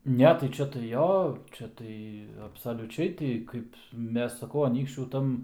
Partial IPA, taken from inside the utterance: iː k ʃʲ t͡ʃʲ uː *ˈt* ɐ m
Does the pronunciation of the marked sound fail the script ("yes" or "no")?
no